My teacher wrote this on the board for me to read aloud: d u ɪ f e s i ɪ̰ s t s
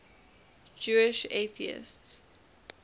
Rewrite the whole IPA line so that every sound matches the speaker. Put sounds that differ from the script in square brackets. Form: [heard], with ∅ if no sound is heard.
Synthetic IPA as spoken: [d͡ʒ] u ɪ [ʃ] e [θ] i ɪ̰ s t s